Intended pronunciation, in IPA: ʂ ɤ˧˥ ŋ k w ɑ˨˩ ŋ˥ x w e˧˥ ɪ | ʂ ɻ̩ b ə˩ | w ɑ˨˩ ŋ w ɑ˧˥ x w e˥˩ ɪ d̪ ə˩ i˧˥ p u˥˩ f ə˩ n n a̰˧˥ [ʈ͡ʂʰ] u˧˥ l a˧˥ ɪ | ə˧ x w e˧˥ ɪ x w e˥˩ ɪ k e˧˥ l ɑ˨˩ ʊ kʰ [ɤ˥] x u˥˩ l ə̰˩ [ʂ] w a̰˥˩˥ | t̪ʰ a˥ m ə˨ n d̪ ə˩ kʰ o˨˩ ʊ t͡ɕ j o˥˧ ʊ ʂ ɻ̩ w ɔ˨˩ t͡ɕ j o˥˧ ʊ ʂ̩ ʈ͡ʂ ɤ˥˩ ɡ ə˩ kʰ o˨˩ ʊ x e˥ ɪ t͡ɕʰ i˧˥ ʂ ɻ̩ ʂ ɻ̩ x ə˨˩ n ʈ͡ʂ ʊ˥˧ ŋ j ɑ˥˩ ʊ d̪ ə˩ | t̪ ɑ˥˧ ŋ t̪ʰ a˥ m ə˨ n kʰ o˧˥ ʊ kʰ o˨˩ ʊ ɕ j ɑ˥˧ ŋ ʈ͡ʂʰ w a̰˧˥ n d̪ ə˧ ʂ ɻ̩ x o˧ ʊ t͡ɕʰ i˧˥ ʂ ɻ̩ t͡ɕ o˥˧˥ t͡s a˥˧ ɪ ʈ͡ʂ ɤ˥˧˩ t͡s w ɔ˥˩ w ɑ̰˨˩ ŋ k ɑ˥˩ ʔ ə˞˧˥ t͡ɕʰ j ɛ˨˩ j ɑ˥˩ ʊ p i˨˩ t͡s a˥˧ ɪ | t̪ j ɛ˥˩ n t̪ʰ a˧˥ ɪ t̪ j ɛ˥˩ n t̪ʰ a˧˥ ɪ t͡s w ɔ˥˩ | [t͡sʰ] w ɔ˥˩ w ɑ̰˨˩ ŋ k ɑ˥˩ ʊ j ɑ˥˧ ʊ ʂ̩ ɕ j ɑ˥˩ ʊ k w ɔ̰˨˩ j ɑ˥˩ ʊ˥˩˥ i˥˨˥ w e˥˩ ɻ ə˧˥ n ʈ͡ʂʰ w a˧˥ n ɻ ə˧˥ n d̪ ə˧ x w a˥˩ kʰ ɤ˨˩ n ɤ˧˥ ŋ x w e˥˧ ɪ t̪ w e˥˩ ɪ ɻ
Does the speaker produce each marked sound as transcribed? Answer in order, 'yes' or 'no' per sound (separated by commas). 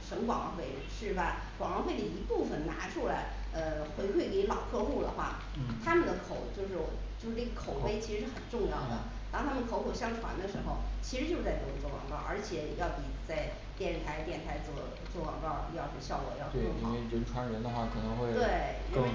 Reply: yes, no, no, no